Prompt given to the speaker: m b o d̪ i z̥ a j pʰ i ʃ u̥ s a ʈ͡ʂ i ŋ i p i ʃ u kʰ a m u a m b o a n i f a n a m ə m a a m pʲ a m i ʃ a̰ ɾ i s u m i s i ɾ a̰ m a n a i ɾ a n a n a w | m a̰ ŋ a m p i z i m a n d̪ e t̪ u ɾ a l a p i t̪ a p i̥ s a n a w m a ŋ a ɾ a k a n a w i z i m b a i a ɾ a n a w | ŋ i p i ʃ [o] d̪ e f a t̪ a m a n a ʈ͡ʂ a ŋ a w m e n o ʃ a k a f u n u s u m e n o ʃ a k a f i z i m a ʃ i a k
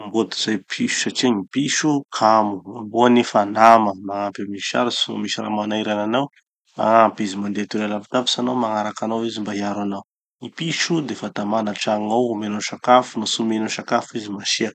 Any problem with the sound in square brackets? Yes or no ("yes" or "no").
yes